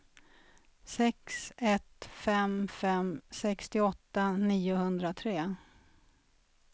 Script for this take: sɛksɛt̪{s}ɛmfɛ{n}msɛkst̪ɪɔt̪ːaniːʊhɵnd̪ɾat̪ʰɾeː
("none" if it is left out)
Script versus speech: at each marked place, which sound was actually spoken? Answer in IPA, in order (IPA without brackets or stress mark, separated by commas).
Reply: f, none